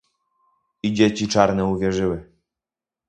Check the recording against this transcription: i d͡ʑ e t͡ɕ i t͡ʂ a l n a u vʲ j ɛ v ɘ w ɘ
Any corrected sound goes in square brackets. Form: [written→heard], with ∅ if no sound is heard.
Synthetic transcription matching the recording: i d͡ʑ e t͡ɕ i t͡ʂ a [l→ɾ] n [a→ɛ] u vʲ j ɛ [v→ʐ] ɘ w ɘ